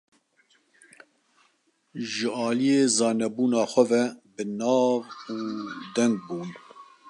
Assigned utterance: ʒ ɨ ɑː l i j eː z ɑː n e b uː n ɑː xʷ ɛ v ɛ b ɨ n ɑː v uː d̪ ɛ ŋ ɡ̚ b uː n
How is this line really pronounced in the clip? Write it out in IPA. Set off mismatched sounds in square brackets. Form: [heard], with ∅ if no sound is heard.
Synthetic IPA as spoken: ʒ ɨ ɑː l i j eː z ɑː n [ɛ] b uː n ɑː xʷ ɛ v ɛ b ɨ n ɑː v uː d̪ ɛ ŋ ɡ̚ b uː n

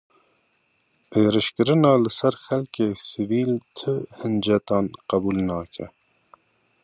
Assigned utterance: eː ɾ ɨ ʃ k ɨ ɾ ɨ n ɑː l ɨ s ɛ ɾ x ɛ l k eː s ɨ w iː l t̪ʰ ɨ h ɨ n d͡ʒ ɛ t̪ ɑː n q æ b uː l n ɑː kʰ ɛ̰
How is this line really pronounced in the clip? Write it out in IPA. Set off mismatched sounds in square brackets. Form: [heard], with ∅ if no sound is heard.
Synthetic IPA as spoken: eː ɾ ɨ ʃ k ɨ ɾ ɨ n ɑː l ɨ s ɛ ɾ x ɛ l k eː s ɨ [v] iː l t̪ʰ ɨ h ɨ n d͡ʒ ɛ t̪ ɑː n q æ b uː l n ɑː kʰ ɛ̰

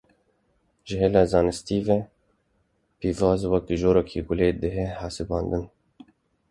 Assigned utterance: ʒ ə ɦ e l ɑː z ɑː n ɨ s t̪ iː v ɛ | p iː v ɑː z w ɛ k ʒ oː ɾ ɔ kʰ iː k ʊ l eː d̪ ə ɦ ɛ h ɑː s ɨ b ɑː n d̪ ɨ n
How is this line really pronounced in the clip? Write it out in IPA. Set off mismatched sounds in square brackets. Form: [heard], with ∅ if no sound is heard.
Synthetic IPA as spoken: ʒ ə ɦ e l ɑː z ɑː n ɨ s t̪ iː v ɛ | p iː v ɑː z w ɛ k ʒ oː ɾ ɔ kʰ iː [ɡ] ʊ l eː d̪ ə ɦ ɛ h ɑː s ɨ b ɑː n d̪ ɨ n

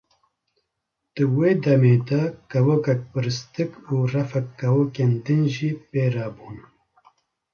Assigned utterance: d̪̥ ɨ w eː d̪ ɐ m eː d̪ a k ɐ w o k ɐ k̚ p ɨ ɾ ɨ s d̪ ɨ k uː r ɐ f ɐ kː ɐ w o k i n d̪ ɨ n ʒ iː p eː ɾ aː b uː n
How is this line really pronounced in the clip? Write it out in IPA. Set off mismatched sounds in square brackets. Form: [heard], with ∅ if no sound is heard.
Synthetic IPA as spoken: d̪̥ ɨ w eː d̪ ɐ m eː d̪ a k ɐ w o k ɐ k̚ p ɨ ɾ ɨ s [t̪] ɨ k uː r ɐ f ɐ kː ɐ w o k [e] n d̪ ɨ n ʒ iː p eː ɾ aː b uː n

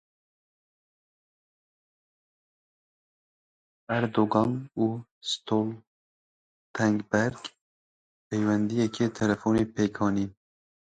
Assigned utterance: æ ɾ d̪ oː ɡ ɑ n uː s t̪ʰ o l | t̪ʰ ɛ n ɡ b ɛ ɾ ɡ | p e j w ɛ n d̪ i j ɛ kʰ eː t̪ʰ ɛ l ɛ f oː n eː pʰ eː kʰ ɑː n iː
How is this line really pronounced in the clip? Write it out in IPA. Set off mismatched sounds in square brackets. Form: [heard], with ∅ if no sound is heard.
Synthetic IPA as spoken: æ ɾ d̪ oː ɡ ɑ n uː s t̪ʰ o l | t̪ʰ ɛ [ŋ] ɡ b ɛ ɾ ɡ | p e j w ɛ n d̪ i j ɛ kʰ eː t̪ʰ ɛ l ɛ f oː n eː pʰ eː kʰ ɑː n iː

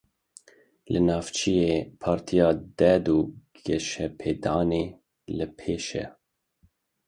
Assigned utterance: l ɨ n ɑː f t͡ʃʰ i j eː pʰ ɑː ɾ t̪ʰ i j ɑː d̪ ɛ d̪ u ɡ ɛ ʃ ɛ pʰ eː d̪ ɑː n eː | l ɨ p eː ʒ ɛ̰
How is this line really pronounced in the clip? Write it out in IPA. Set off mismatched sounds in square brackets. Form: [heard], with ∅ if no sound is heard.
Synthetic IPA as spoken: l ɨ n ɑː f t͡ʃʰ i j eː pʰ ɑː ɾ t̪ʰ i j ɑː d̪ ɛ d̪ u ɡ ɛ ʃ ɛ pʰ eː d̪ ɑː n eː | l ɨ [pʰ] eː [ʃ] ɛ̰

